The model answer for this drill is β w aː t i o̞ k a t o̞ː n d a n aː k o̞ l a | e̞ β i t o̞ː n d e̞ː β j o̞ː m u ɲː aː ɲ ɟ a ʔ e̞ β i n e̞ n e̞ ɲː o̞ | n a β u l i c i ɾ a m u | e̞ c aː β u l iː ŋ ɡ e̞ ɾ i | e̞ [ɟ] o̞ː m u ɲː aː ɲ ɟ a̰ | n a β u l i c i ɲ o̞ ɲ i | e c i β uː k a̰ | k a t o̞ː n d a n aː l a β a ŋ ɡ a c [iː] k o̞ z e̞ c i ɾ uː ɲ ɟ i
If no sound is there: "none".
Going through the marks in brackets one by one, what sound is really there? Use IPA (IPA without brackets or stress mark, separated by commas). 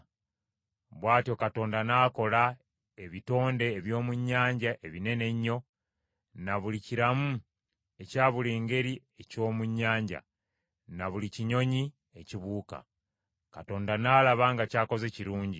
c, aː